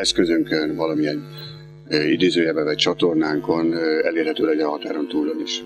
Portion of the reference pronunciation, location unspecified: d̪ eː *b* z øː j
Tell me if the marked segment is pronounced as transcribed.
no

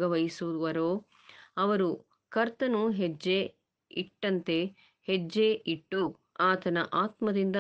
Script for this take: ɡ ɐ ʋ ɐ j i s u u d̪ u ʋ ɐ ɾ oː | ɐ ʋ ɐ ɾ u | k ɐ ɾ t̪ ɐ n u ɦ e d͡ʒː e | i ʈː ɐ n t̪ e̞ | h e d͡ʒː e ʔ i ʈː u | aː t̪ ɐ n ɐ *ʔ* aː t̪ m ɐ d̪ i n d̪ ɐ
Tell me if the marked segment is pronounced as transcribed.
yes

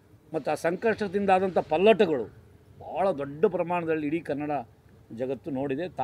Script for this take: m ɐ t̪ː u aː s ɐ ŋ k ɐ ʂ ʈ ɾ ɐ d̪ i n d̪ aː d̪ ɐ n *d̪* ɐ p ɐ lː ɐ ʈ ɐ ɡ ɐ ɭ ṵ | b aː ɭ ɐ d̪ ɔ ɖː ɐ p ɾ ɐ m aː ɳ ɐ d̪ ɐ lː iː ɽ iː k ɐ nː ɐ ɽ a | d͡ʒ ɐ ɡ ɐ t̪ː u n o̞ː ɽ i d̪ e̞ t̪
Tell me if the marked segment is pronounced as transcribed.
no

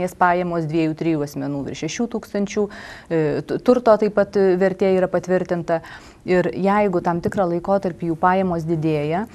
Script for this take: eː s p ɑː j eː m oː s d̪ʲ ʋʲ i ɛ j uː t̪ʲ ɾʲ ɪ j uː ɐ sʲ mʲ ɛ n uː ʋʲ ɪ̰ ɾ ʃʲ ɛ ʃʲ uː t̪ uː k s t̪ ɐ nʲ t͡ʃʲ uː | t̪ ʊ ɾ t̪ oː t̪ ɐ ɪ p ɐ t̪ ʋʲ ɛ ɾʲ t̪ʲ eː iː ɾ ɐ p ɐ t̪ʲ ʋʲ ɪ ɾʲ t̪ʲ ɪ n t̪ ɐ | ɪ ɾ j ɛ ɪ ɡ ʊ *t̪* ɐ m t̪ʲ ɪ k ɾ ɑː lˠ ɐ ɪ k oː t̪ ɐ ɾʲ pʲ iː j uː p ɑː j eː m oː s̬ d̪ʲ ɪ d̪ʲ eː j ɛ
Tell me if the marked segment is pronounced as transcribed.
yes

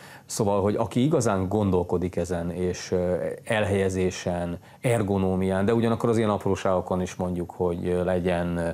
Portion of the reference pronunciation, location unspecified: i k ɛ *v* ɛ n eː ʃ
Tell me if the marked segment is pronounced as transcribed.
no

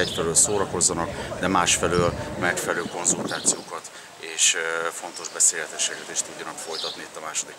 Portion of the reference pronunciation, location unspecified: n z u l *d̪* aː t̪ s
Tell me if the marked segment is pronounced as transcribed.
no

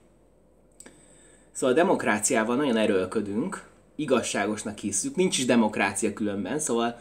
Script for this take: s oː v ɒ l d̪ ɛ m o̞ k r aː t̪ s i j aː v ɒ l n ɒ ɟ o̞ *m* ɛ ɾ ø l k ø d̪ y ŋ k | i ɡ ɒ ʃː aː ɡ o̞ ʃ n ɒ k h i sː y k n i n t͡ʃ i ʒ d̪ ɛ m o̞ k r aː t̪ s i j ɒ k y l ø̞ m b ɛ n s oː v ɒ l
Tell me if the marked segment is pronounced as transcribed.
no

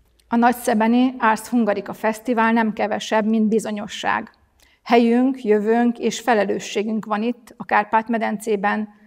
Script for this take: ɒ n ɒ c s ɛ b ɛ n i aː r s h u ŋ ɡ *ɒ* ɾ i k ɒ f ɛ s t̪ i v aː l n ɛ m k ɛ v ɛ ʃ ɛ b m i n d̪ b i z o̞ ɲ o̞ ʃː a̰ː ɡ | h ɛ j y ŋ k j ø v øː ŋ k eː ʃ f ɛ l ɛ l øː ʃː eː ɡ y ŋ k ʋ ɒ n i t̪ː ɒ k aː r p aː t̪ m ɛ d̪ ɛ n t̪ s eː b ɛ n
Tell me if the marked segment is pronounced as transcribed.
yes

